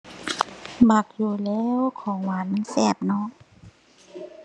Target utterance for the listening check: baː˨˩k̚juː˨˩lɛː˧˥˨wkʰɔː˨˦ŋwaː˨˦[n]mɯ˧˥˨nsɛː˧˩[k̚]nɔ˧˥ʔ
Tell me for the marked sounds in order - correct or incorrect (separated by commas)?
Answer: correct, incorrect